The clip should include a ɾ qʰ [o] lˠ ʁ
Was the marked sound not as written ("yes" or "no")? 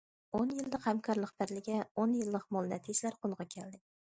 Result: no